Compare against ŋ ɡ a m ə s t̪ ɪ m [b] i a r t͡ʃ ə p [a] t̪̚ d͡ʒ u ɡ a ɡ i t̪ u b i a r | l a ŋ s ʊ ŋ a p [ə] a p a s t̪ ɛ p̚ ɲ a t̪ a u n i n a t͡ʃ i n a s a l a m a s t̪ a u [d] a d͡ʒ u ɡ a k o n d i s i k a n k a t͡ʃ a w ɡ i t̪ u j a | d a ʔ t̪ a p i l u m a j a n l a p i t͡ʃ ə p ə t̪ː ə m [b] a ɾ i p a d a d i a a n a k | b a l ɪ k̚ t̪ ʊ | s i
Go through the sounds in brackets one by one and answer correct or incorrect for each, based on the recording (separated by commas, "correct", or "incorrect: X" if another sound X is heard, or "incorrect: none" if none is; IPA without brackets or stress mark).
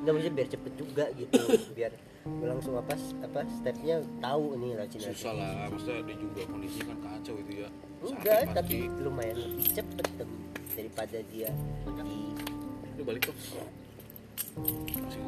correct, incorrect: ə, incorrect: a, correct, incorrect: d